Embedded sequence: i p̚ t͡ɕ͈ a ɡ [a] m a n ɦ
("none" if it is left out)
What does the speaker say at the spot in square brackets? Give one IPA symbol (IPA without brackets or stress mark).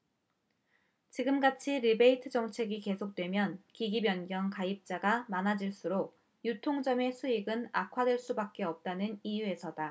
a